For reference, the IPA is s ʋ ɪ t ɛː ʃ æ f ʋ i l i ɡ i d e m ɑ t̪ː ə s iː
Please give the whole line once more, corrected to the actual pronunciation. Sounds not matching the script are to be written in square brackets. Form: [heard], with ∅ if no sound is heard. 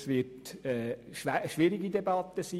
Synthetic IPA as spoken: s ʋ ɪ t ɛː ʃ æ [ʃ] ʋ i [ɾ] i ɡ i d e [b] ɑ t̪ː ə s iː